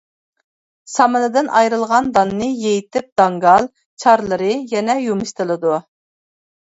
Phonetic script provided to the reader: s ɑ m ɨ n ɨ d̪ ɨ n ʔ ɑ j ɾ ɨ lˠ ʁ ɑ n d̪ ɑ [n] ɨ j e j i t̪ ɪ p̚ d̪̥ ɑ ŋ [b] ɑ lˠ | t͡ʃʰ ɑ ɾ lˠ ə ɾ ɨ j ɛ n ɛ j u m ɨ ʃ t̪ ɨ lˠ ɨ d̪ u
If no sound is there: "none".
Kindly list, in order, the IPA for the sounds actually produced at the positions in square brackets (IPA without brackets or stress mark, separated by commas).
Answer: nː, ɡ